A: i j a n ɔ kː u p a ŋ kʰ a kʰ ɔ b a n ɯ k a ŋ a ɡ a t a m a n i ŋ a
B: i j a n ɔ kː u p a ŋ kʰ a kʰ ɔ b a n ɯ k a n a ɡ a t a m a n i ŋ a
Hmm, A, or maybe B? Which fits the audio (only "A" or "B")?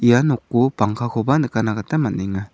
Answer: B